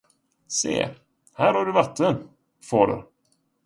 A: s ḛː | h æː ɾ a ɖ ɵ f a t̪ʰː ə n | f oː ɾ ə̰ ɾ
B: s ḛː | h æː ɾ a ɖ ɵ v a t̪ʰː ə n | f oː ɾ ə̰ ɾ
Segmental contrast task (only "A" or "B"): B